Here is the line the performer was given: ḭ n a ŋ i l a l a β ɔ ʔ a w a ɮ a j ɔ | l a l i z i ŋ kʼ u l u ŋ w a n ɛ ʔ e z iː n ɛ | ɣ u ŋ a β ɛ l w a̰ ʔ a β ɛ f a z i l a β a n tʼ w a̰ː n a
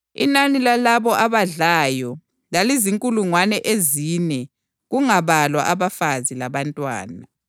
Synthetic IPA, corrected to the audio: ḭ n a n i l a l a β ɔ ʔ a β a ɮ a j ɔ | l a l i z i ŋ kʼ u l u ŋ w a n ɛ ʔ e z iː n ɛ | ɣ u ŋ a β a l w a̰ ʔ a β a f a z i l a β a n tʼ w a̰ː n a